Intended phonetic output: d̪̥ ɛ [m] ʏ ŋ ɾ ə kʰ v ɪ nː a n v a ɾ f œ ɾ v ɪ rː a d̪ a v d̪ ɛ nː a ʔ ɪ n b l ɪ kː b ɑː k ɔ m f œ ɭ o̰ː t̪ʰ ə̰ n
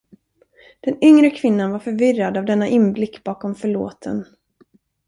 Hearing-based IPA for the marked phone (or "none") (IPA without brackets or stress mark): n